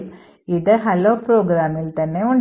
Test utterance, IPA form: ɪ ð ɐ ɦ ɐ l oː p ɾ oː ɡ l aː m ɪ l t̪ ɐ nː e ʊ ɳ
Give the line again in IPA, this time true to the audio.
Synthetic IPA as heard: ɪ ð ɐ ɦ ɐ l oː p ɾ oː ɡ ɾ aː m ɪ l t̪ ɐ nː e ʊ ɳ